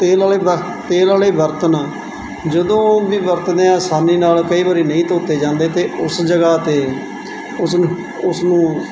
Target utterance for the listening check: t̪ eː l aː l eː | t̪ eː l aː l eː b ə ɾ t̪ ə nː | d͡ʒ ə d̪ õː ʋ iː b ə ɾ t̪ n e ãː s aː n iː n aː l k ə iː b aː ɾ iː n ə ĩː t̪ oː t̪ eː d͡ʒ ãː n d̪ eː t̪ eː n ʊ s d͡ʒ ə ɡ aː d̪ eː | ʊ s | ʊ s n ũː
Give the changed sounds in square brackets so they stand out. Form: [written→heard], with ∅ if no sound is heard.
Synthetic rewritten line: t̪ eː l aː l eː | t̪ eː l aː l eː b ə ɾ t̪ ə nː | d͡ʒ ə d̪ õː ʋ iː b ə ɾ t̪ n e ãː s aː n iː n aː l k ə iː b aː ɾ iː n ə ĩː t̪ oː t̪ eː d͡ʒ ãː n d̪ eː t̪ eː [n→∅] ʊ s d͡ʒ ə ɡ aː [d̪→t̪] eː | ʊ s | ʊ s n ũː

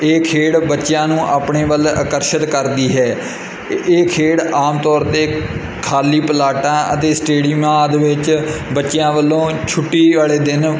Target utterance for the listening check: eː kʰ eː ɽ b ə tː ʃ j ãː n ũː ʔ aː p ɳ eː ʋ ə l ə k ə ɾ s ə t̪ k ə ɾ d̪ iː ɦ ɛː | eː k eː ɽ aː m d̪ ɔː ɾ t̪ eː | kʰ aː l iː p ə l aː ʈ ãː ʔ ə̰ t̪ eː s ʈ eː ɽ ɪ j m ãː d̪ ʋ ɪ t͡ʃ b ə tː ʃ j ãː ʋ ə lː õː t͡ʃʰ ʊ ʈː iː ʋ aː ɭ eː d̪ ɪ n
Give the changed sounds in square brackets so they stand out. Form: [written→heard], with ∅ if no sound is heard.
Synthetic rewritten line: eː kʰ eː ɽ b ə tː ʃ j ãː n ũː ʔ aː p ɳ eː ʋ ə l ə k ə ɾ [s→ʃ] ə t̪ k ə ɾ d̪ iː ɦ ɛː | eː [k→kʰ] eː ɽ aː m [d̪→t̪] ɔː ɾ t̪ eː | kʰ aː l iː p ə l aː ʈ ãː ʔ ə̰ t̪ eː s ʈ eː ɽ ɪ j m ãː d̪ ʋ ɪ t͡ʃ b ə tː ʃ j ãː ʋ ə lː õː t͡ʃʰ ʊ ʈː iː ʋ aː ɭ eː d̪ ɪ n

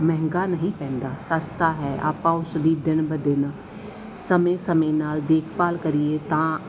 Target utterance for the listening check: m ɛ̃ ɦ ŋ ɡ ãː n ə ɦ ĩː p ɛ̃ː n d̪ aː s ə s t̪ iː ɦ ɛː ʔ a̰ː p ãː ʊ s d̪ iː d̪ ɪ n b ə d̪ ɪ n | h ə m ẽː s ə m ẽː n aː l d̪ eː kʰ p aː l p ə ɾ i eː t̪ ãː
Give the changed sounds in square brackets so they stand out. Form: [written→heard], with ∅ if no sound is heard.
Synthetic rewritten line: m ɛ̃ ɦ ŋ ɡ [ãː→aː] n ə ɦ ĩː p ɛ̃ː n d̪ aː s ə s t̪ [iː→aː] ɦ ɛː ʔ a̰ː p ãː ʊ s d̪ iː d̪ ɪ n b ə d̪ ɪ n | [h→s] ə m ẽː s ə m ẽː n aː l d̪ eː kʰ p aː l [p→k] ə ɾ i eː t̪ ãː

